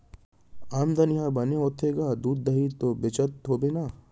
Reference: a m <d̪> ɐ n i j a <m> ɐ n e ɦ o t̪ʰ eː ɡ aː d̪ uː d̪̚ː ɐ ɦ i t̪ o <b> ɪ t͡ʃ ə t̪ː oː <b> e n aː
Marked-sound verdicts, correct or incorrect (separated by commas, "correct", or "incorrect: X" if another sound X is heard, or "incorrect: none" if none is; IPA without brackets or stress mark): correct, incorrect: b, correct, correct